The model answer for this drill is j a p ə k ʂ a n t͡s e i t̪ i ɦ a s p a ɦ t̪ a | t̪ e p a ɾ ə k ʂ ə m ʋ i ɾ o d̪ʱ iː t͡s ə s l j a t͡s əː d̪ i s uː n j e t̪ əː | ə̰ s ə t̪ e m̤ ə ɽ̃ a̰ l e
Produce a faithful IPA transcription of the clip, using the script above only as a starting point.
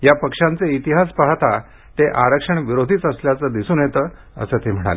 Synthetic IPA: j a p ə k ʂ a n t͡s e i t̪ i ɦ a s p a ɦ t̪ a | t̪ e ʔ a ɾ ə k ʂ ə ɳ ʋ i ɾ o d̪ʱ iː t͡s ə s l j a t͡s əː d̪ i s uː n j e t̪ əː | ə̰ s ə t̪ e m̤ ə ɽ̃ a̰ l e